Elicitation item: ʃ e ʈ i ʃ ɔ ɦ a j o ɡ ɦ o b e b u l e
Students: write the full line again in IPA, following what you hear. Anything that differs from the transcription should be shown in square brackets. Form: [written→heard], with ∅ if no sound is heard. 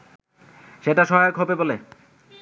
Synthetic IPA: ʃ e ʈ [i→a] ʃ ɔ ɦ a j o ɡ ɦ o b e b [u→o] l e